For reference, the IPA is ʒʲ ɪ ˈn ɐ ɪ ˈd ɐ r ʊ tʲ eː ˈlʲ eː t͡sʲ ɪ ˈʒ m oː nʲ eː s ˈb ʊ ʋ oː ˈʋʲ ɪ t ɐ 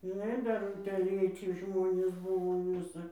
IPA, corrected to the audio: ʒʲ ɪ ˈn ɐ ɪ ˈd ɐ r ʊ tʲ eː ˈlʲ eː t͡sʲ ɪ ˈʒ m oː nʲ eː s ˈb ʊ ʋ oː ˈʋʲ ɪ s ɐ